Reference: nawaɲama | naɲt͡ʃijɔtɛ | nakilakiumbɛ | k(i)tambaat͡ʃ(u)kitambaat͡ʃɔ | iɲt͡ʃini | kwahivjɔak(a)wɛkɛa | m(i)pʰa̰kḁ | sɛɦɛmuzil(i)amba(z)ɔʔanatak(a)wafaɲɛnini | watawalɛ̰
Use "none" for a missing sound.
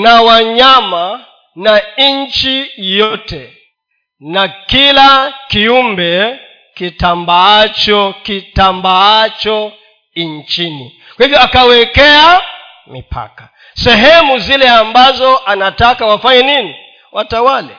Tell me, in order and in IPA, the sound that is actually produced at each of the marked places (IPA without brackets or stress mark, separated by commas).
i, ɔ, a, i, ɛ, z, a